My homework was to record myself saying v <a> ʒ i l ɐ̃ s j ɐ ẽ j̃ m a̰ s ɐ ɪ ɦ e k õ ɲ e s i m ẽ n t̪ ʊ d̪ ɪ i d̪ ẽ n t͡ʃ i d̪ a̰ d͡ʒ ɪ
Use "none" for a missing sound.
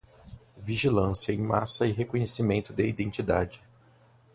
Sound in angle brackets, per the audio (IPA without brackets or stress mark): i